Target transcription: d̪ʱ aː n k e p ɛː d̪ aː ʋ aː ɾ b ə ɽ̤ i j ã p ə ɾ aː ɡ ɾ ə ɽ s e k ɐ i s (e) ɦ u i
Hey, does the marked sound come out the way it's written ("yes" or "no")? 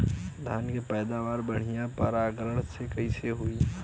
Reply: yes